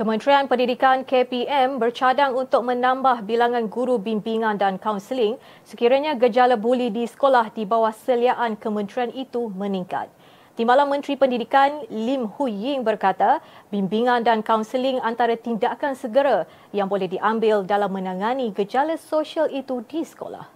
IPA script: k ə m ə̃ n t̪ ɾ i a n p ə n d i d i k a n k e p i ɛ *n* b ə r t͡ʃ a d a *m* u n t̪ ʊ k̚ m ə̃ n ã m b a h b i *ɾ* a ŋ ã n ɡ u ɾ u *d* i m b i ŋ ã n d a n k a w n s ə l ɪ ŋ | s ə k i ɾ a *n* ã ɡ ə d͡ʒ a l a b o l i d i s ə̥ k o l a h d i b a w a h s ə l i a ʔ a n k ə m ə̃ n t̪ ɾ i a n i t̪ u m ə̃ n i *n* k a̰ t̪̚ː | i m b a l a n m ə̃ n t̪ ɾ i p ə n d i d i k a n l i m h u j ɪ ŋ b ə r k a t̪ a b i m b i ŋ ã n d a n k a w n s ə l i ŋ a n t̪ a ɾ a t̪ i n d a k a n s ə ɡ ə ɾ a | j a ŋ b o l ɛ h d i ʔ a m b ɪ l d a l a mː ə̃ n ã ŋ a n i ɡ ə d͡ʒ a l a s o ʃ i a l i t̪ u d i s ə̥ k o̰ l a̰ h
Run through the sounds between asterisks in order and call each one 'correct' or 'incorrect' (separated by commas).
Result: incorrect, incorrect, incorrect, incorrect, incorrect, incorrect